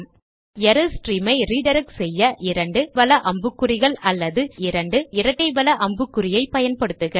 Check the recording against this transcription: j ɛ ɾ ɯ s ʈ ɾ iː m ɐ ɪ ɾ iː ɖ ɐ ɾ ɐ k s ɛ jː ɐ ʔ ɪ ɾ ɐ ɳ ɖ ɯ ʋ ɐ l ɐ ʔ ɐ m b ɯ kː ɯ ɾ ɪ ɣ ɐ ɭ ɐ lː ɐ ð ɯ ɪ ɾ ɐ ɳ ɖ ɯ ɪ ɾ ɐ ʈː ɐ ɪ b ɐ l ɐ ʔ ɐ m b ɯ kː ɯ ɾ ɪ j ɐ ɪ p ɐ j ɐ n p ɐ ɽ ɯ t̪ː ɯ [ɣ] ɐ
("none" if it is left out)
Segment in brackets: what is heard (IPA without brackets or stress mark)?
ɣ